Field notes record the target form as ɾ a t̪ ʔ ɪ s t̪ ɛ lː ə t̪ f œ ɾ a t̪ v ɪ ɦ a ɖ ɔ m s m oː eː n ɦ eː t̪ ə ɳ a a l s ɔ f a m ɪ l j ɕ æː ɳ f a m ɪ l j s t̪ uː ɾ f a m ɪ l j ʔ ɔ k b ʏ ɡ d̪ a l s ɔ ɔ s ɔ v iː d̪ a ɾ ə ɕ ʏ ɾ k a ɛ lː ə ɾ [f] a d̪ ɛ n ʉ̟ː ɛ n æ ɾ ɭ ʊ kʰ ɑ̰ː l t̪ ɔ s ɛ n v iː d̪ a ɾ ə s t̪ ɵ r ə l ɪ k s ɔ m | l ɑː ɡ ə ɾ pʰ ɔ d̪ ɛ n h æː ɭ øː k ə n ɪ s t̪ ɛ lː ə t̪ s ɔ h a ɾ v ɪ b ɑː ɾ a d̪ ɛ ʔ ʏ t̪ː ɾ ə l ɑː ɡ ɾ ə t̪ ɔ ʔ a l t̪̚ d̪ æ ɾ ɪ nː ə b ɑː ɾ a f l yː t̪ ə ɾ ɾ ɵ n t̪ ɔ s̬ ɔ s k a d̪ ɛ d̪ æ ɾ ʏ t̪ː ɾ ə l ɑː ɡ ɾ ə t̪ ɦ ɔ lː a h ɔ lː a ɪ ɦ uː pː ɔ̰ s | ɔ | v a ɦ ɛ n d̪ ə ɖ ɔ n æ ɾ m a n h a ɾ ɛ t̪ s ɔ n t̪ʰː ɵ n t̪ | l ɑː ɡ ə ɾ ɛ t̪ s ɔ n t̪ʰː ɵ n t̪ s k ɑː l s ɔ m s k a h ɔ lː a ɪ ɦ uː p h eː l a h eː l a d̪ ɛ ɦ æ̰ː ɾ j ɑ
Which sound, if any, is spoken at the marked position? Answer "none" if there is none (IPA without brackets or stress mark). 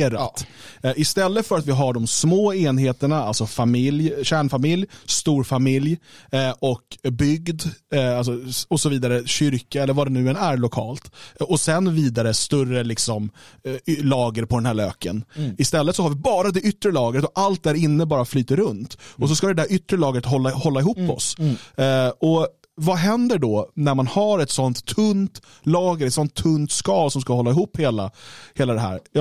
v